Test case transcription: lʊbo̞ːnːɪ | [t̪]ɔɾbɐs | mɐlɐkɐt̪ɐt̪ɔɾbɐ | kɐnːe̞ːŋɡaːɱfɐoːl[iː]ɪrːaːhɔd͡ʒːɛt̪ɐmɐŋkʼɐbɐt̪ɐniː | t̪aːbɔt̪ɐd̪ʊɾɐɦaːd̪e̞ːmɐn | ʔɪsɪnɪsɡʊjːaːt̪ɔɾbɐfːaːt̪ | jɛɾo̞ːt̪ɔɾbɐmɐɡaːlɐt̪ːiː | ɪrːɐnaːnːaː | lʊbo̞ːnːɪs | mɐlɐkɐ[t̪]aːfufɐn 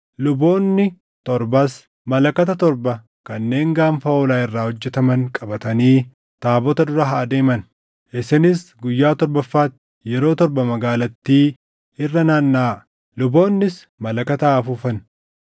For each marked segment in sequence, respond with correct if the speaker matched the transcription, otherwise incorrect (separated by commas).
correct, incorrect, correct